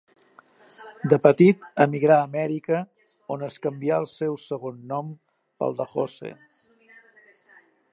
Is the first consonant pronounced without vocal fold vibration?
no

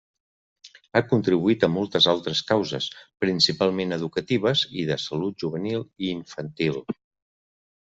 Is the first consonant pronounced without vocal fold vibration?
yes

